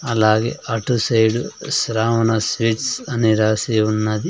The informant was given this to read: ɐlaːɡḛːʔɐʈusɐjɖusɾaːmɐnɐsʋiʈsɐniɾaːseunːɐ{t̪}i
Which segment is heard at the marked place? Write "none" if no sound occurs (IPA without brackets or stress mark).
d̪